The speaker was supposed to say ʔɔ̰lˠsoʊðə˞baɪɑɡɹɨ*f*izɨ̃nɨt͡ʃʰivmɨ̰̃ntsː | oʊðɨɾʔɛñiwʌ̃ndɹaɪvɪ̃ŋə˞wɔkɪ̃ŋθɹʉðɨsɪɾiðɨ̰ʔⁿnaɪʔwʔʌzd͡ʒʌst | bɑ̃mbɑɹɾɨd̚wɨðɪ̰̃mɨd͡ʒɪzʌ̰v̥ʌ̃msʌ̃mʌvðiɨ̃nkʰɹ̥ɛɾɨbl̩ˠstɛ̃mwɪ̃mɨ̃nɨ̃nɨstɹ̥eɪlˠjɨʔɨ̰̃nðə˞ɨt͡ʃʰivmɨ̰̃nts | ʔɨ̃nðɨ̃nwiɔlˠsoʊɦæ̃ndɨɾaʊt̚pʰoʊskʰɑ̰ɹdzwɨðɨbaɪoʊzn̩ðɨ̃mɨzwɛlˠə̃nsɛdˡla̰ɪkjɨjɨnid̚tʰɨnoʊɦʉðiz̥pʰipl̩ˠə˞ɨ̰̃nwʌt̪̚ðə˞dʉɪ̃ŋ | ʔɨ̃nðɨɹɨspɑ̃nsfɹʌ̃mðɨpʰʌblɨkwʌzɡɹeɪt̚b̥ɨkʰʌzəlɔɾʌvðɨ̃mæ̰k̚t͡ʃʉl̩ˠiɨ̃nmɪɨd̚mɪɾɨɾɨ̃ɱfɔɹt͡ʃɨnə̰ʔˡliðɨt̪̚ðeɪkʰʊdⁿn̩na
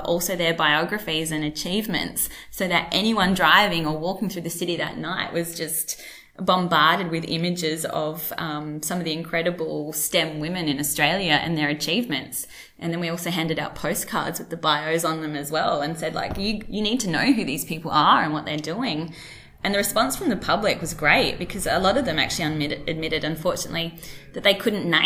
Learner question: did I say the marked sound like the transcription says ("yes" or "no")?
yes